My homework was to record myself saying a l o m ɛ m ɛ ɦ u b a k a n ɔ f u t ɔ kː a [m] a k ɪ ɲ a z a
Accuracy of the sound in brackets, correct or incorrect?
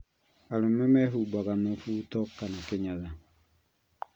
incorrect